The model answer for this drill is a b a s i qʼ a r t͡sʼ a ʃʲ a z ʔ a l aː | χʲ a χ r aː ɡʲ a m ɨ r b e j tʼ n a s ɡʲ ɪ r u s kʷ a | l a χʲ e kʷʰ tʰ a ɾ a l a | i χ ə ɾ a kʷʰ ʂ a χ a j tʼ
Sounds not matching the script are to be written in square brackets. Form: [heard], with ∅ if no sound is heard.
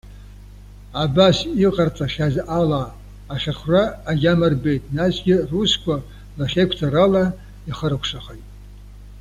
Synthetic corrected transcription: a b a s i qʼ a r t͡sʼ a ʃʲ a z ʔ a l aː | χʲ a χ r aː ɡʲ a m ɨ r b e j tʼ n a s ɡʲ ɪ r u s kʷ a | l a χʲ e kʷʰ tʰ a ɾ a l a | i χ ə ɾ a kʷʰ ʂ a χ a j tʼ